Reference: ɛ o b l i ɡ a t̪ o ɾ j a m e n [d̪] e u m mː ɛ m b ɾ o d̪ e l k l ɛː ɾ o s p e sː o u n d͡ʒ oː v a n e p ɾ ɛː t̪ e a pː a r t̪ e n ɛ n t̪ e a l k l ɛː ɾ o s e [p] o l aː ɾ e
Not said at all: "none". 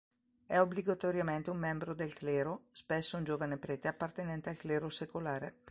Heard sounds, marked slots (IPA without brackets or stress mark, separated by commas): t̪, k